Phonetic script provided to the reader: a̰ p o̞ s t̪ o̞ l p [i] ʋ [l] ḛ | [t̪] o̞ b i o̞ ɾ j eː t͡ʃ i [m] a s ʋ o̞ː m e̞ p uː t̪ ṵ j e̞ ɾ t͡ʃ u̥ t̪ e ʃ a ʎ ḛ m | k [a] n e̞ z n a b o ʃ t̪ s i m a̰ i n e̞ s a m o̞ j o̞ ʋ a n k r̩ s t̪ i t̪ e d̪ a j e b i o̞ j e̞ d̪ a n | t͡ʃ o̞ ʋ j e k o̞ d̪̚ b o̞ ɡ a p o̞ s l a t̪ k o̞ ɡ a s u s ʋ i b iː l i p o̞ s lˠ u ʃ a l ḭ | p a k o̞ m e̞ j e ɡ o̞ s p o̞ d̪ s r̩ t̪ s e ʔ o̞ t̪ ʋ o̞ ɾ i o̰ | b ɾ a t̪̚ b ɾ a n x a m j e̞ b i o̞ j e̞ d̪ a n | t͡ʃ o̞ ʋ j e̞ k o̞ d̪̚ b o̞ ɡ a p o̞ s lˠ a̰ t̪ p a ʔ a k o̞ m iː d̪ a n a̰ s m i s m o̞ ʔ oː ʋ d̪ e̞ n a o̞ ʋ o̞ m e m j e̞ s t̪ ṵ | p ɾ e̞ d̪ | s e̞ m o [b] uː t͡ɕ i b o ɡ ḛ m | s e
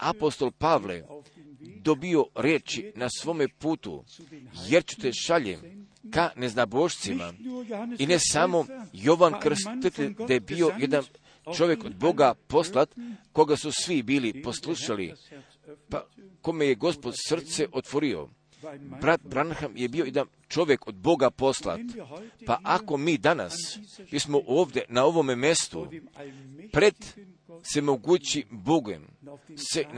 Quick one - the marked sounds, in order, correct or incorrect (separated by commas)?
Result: incorrect, correct, incorrect, incorrect, correct, incorrect